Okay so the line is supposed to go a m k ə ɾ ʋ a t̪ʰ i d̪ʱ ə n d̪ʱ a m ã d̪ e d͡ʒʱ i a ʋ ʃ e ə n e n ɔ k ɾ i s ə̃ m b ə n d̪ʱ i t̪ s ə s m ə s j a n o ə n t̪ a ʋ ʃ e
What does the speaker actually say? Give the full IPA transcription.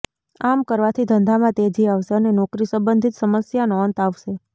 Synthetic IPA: a m k ə ɾ ʋ a t̪ʰ i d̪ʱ ə n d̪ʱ a m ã t̪ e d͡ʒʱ i a ʋ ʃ e ə n e n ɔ k ɾ i s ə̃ m b ə n d̪ʱ i t̪ s ə m ə s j a n o ə n t̪ a ʋ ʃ e